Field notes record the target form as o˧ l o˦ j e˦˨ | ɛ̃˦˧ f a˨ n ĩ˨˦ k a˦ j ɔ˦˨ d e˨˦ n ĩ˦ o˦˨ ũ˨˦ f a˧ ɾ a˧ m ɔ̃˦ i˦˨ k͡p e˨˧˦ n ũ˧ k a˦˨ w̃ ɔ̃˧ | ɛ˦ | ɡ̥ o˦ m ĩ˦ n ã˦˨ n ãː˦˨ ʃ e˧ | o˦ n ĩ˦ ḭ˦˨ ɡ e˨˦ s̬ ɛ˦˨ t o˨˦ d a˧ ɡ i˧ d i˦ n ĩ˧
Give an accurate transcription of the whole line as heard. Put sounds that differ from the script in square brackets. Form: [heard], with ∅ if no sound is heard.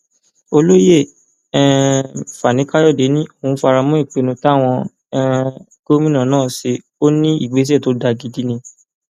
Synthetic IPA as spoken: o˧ l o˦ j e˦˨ | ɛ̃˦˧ f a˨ n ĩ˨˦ k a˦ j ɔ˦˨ d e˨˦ n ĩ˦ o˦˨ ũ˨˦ f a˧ ɾ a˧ m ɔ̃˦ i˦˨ k͡p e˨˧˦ n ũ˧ [t] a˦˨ w̃ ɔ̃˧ | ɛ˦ | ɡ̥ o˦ m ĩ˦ n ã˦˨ n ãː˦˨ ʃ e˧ | o˦ n ĩ˦ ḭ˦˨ [ɡ͡b] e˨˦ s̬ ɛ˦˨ t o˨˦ d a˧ ɡ i˧ d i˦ n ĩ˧